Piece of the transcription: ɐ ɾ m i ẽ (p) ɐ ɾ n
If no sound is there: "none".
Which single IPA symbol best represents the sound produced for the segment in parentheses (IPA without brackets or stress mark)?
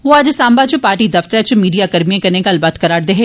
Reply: k